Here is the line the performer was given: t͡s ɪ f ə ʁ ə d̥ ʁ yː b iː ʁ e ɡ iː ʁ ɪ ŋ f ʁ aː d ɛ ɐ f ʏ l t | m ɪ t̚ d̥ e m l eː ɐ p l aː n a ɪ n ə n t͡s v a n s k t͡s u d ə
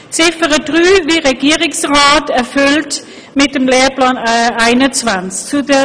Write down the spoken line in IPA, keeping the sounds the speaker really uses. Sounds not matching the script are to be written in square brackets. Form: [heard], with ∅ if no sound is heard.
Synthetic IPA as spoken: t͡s ɪ f ə ʁ ə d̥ ʁ yː [v] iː ʁ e ɡ iː ʁ ɪ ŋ [s] ʁ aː [t] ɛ ɐ f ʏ l t | m ɪ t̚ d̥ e m l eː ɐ p l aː n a ɪ n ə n t͡s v a n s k t͡s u d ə

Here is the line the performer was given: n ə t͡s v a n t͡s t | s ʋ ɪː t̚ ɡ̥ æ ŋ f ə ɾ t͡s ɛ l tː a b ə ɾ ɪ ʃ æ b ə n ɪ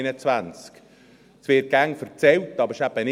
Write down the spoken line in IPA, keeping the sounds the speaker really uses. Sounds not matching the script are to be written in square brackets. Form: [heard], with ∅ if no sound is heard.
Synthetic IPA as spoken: n ə t͡s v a n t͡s [k] | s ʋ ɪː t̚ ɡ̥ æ ŋ f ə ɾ t͡s ɛ l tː [ɑ] b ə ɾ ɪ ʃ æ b ə n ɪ

